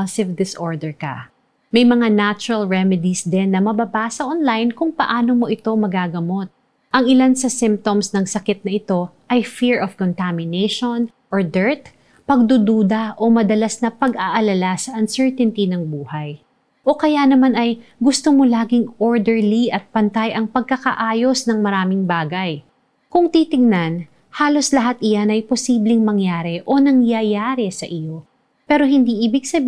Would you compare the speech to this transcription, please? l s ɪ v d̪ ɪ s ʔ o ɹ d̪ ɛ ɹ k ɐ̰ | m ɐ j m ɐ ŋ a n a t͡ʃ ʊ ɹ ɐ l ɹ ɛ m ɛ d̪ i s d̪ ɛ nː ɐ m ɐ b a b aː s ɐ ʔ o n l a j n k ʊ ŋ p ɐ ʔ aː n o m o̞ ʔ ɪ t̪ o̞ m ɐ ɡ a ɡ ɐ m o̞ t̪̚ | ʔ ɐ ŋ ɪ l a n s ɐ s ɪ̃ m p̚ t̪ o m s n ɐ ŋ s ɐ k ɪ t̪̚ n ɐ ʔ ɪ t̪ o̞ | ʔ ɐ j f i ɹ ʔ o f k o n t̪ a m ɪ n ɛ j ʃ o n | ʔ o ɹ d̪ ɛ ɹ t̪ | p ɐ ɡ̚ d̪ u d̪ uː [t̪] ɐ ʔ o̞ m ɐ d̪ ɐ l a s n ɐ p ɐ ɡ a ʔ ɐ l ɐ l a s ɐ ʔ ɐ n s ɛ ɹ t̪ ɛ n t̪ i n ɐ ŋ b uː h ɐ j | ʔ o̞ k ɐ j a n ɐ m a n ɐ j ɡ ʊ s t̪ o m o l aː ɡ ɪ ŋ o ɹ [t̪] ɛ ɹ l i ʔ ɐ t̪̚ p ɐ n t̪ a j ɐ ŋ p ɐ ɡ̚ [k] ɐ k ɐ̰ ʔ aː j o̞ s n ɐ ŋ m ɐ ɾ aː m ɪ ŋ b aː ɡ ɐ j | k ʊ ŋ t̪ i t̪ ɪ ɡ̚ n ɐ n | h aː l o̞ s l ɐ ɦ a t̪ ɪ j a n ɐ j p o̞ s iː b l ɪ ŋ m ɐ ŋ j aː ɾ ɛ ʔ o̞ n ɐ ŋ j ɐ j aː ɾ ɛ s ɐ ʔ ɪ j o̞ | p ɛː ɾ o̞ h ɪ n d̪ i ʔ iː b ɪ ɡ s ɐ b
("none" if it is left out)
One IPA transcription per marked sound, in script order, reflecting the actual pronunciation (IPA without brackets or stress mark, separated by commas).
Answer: d̪, d̪, k